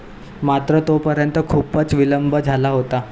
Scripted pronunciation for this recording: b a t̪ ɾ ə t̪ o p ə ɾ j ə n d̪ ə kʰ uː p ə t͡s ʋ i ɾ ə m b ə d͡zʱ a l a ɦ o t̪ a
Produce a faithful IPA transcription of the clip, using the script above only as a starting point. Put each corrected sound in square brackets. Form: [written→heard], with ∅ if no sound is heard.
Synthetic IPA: [b→m] a t̪ ɾ ə t̪ o p ə ɾ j ə n [d̪→t̪] ə kʰ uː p ə t͡s ʋ i [ɾ→l] ə m b ə d͡zʱ a l a ɦ o t̪ a